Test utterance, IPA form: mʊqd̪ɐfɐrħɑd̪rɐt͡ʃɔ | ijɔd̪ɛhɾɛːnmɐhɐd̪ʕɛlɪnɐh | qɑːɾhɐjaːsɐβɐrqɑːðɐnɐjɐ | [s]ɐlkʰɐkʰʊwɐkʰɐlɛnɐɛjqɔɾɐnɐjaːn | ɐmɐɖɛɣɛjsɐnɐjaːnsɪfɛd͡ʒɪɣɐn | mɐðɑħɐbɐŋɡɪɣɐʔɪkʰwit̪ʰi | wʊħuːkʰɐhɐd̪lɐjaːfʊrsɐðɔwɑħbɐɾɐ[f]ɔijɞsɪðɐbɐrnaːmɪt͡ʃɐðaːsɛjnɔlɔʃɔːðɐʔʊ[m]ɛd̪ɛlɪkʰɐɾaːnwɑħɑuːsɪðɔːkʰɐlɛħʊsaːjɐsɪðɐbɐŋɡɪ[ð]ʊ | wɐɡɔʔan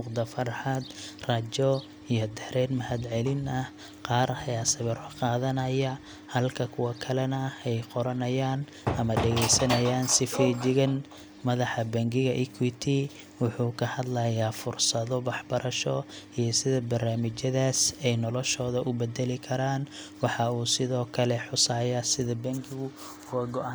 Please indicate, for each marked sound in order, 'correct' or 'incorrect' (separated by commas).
incorrect, incorrect, incorrect, incorrect